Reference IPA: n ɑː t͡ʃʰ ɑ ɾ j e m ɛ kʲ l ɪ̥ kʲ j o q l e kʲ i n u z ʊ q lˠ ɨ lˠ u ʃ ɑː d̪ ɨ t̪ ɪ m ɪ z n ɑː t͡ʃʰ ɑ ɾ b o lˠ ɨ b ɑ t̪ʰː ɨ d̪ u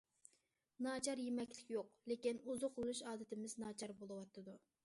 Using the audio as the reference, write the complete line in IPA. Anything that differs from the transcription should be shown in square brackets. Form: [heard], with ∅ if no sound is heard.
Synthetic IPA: n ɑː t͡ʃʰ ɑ ɾ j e m ɛ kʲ l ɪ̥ kʲ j o q l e kʲ i n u z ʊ q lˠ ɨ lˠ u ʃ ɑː d̪ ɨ t̪ ɪ m ɪ z n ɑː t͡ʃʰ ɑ ɾ b o lˠ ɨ [w] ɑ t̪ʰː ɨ d̪ u